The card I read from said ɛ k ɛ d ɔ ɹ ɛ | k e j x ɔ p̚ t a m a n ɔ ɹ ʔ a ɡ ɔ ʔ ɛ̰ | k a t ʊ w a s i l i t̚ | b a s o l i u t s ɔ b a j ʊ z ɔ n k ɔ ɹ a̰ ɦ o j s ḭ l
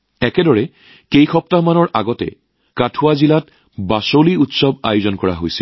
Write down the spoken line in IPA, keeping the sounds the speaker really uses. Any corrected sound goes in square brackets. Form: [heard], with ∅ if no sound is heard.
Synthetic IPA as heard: ɛ k ɛ d ɔ ɹ ɛ | k e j x ɔ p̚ t a m a n ɔ ɹ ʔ a ɡ ɔ [t] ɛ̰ | k a [tʰ] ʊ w a [z] i l [a] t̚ | b a s o l i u t s ɔ b a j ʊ z ɔ n k ɔ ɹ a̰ ɦ o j s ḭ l